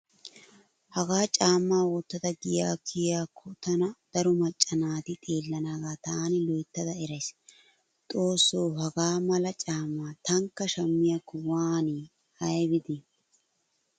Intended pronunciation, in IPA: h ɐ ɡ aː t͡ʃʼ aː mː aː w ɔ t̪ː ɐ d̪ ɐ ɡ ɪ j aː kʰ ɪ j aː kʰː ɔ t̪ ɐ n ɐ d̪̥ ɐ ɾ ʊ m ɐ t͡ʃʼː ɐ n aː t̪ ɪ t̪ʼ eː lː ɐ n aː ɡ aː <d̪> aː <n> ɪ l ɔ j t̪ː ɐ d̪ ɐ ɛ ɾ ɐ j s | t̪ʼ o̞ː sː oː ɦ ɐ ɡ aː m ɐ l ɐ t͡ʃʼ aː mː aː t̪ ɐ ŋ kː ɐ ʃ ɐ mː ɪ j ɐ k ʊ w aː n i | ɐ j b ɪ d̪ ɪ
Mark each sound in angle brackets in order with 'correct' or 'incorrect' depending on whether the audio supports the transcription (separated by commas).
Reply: incorrect, correct